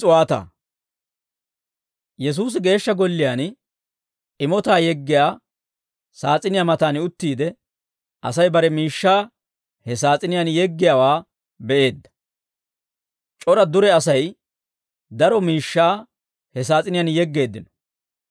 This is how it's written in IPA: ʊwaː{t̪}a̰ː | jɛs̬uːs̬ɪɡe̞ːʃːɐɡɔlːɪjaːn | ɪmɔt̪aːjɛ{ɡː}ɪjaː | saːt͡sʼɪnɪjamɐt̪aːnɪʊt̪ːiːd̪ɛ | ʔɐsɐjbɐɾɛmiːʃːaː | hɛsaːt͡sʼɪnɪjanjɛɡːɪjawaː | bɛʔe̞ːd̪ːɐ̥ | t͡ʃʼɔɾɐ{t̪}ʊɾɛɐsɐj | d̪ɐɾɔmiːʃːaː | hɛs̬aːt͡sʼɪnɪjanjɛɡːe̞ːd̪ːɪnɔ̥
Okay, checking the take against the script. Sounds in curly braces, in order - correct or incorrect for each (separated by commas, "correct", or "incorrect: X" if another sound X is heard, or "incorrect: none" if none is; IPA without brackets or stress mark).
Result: correct, correct, incorrect: d̪